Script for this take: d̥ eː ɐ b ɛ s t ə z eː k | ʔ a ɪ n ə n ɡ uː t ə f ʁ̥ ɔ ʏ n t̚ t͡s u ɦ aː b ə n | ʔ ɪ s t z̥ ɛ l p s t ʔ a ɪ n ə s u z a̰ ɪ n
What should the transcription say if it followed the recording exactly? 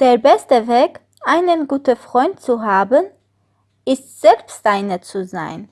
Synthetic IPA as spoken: d̥ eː ɐ b ɛ s t ə v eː k | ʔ a ɪ n ə n ɡ uː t ə f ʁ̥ ɔ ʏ n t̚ t͡s u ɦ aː b ə n | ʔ ɪ s t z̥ ɛ l p s t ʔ a ɪ n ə t͡s u z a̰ ɪ n